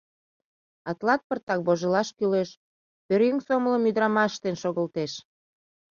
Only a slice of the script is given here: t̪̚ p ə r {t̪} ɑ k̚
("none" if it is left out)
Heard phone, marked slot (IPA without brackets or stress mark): t̪